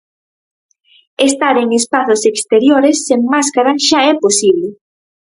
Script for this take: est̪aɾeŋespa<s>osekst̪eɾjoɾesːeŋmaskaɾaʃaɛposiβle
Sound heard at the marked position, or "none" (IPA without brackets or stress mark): θ